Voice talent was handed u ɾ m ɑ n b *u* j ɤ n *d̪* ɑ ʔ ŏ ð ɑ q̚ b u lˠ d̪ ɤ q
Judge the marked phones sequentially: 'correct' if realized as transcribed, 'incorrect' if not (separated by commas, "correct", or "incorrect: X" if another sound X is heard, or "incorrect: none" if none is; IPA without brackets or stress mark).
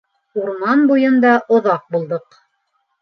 correct, correct